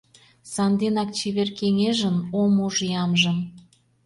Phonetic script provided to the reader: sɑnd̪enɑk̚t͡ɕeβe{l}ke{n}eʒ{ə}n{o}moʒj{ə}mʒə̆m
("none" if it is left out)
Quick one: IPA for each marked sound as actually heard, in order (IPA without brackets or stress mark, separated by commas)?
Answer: r, ŋ, ə, o, ɑ